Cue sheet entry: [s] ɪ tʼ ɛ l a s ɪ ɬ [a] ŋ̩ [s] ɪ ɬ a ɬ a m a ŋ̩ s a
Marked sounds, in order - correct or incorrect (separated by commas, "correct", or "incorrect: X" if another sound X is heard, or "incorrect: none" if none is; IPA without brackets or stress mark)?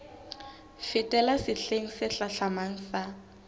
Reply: incorrect: f, incorrect: e, correct